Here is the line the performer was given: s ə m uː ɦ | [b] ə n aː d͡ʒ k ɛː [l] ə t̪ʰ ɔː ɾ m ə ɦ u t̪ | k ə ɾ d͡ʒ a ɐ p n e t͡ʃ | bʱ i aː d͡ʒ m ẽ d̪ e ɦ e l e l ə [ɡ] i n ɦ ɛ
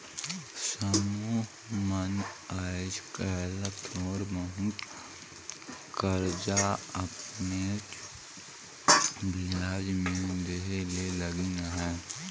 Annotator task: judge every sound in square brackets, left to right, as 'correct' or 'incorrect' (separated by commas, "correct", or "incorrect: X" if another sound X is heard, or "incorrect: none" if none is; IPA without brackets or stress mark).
incorrect: m, correct, correct